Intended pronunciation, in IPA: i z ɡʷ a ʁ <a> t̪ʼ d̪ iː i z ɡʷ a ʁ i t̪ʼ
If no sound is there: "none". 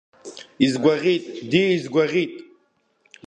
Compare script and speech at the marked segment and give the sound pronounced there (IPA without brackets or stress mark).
i